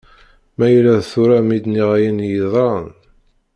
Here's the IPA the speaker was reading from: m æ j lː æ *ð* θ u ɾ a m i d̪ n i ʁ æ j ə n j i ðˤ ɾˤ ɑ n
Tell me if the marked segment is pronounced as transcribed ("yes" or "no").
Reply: yes